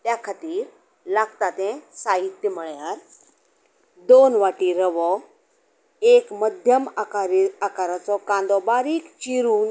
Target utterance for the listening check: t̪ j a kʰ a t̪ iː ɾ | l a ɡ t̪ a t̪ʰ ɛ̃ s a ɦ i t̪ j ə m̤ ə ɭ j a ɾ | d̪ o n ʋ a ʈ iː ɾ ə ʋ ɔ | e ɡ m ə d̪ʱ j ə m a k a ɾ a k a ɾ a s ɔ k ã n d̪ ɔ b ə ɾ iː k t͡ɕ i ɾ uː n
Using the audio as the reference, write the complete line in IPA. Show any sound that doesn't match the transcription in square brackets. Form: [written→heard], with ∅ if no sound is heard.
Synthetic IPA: t̪ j a kʰ a t̪ iː ɾ | l a ɡ t̪ a [t̪ʰ→t̪] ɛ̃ s a ɦ i t̪ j ə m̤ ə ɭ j a ɾ | d̪ o n ʋ a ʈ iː ɾ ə ʋ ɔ | e [ɡ→k] m ə d̪ʱ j ə m a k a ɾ a k a ɾ a [s→t͡s] ɔ k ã n d̪ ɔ b [ə→a] ɾ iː k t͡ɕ i ɾ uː n